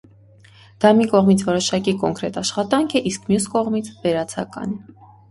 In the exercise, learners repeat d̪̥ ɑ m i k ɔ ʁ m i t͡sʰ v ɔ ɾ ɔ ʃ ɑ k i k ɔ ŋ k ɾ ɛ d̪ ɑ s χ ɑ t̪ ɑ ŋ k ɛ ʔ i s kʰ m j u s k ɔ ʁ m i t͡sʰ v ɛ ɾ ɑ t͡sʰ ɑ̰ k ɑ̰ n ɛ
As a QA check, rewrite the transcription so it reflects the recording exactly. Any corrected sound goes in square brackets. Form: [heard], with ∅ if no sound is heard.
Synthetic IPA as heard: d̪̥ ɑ m i k ɔ ʁ m i t͡sʰ v ɔ ɾ ɔ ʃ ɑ k i k ɔ ŋ k ɾ ɛ [t̪] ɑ [ʃ] χ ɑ t̪ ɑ ŋ [kʰ] ɛ ʔ i s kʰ m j u s k ɔ ʁ m i t͡sʰ v ɛ ɾ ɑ t͡sʰ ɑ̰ k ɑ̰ n ɛ